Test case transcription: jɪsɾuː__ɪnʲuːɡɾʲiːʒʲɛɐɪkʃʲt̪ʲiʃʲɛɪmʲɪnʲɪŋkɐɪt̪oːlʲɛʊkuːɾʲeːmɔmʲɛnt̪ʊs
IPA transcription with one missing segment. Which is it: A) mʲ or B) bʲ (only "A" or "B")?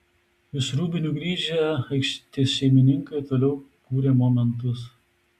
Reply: B